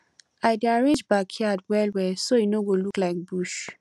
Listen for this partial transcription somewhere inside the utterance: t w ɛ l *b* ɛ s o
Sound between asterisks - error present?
yes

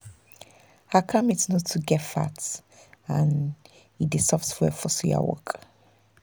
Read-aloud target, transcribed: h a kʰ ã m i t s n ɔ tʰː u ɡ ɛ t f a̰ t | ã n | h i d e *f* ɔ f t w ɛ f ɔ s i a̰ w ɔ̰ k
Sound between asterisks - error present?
yes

